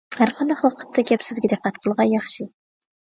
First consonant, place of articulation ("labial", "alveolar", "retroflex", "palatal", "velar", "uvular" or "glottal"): glottal